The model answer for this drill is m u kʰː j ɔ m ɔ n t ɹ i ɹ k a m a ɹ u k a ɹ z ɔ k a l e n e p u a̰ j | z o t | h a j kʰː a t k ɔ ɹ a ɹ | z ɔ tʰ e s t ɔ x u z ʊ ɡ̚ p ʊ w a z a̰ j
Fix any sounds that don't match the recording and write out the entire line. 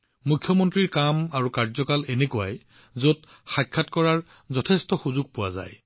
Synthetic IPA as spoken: m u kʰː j ɔ m ɔ n t ɹ i ɹ k a m a ɹ u k a ɹ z ɔ k a l e n e k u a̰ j | z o t | x a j kʰː a t k ɔ ɹ a ɹ | z ɔ tʰ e s t ɔ x u z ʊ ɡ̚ p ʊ w a z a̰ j